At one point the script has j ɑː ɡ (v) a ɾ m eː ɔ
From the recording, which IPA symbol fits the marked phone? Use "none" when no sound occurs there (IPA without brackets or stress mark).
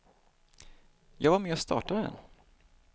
v